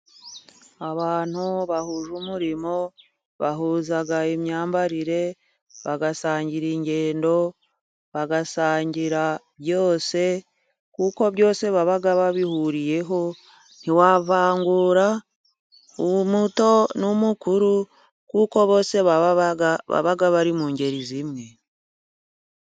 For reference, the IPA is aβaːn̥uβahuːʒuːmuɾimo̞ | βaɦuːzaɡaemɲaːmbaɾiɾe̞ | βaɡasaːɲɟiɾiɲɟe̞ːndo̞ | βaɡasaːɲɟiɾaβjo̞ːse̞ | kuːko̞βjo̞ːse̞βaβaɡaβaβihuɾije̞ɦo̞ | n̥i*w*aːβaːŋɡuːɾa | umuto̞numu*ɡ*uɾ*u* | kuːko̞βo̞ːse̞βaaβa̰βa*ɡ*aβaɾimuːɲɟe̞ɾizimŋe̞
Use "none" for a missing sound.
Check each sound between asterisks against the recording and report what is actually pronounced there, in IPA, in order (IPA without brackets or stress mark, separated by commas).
w, k, u, ɡ